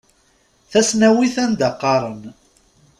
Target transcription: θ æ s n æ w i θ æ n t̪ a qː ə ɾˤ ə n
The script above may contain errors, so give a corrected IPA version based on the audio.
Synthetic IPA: θ æ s n æ w i θ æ n d̪ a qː ɑ ɾˤ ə n